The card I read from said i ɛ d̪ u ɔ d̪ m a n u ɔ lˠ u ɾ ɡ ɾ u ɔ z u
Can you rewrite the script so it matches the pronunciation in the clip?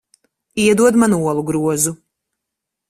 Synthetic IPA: i ɛ d̪ u ɔ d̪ m a n u ɔ lˠ u ɡ ɾ u ɔ z u